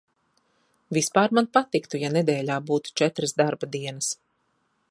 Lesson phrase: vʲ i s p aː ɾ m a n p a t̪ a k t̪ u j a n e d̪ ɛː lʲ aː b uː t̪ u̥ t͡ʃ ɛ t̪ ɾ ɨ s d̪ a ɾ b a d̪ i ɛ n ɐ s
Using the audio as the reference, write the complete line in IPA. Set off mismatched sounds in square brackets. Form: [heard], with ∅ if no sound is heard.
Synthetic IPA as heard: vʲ i s p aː ɾ m a n p a t̪ [i] k t̪ u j a n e d̪ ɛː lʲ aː b uː t̪ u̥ t͡ʃ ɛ t̪ ɾ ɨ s d̪ a ɾ b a d̪ i ɛ n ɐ s